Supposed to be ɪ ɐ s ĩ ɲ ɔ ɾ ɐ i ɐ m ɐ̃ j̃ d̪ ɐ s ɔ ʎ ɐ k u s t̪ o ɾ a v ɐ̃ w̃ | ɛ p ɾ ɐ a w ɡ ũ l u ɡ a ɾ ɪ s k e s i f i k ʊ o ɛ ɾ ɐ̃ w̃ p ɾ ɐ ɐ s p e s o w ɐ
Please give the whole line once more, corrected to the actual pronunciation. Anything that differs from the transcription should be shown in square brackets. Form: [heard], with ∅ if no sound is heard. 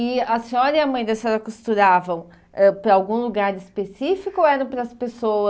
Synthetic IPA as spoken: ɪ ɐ s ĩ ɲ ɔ ɾ ɐ i ɐ m ɐ̃ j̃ d̪ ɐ s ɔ [ɾ] ɐ k u s t̪ [u] ɾ a v ɐ̃ w̃ | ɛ p ɾ ɐ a w ɡ ũ l u ɡ a ɾ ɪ s [p] e s i f i k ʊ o ɛ ɾ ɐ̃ w̃ p ɾ ɐ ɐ s p e s o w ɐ